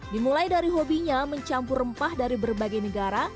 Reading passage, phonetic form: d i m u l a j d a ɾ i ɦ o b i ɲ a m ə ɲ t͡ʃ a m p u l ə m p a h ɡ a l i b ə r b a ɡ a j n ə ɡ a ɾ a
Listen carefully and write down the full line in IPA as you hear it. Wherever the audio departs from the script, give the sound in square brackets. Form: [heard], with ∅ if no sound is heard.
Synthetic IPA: d i m u l a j d a ɾ i ɦ o b i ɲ a m ə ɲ t͡ʃ a m p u [r] ə m p a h [d] a [ɾ] i b ə r b a ɡ a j n ə ɡ a ɾ a